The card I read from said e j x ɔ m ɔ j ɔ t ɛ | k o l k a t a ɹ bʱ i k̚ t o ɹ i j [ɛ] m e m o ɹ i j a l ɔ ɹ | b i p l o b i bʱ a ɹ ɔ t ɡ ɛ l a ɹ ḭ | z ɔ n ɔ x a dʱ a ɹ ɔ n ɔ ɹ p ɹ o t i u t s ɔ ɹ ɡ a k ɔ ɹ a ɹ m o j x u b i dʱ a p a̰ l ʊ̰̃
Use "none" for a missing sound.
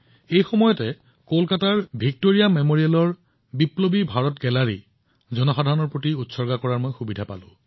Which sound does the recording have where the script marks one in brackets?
a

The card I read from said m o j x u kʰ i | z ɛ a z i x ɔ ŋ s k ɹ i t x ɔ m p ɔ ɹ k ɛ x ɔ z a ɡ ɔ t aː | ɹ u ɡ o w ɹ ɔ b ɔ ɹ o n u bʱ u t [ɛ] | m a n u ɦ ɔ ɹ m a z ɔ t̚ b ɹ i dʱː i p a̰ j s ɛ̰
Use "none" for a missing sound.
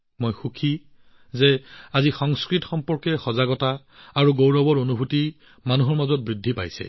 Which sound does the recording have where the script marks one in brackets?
i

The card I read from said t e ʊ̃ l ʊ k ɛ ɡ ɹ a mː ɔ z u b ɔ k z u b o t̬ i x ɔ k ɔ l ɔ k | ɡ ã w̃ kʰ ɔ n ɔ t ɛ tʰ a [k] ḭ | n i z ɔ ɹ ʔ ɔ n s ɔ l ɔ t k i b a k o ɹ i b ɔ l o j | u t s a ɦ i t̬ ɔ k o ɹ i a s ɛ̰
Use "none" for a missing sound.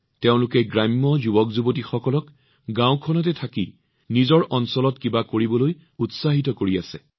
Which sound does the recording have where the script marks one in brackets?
k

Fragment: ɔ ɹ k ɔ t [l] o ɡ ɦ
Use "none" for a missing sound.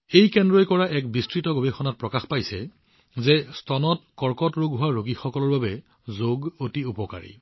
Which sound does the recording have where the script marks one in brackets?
ɹ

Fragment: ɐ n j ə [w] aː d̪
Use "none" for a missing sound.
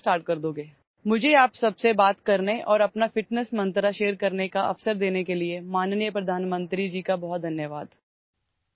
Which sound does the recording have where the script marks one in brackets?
ʋ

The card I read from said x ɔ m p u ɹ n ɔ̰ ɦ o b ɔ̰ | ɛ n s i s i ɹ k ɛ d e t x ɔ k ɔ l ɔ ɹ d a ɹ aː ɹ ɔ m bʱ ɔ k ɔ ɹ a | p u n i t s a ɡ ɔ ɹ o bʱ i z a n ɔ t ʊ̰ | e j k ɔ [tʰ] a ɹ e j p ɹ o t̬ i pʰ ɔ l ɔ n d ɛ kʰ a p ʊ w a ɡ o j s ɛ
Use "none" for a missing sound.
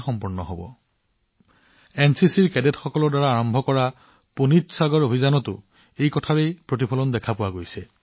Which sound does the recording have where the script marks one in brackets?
tʰ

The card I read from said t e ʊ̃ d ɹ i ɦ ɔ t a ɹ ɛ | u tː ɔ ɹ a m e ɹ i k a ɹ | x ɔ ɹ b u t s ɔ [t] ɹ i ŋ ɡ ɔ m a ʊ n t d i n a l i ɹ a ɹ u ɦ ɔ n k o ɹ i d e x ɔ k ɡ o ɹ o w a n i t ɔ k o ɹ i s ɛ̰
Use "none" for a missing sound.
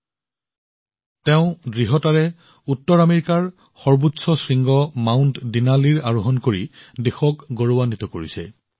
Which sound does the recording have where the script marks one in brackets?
s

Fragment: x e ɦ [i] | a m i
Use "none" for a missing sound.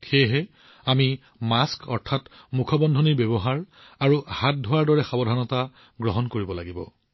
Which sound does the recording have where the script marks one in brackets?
ɛ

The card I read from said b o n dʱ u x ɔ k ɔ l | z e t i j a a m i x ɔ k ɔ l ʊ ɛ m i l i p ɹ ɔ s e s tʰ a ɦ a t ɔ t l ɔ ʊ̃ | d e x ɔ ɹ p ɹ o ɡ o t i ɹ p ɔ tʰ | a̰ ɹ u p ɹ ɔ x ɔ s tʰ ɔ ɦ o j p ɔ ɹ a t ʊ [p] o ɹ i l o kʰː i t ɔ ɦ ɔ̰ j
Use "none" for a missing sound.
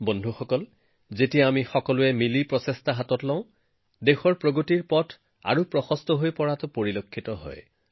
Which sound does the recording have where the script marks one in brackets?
p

